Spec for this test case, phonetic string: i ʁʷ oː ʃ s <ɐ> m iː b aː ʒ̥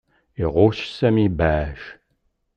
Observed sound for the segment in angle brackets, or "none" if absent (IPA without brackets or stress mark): ɐ